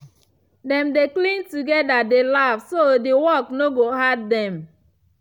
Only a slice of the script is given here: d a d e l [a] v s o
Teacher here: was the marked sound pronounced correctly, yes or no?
yes